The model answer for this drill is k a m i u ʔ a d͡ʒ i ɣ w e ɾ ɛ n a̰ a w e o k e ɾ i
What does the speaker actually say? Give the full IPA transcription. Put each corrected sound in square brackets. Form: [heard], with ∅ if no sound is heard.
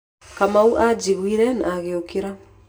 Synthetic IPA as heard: k a m [a] u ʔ a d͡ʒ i ɣ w [i] ɾ ɛ n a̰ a [ɣ] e o k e ɾ [a]